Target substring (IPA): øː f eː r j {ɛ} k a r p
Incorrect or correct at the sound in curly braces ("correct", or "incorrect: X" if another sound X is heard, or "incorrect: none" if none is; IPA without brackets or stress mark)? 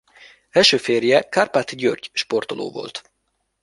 correct